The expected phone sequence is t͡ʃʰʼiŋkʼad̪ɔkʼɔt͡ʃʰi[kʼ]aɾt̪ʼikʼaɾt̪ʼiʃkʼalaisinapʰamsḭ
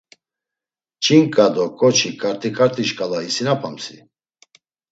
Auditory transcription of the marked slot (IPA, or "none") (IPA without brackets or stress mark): kʼ